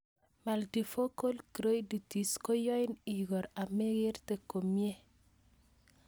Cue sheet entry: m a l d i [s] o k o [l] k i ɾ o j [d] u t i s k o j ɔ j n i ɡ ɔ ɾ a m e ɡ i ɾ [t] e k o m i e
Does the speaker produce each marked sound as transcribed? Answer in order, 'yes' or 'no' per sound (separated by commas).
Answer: no, yes, yes, yes